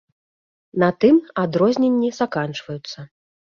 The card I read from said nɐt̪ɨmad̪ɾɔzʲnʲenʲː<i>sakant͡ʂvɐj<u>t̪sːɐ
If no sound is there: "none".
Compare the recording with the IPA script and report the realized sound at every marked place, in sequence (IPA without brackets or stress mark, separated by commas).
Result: i, u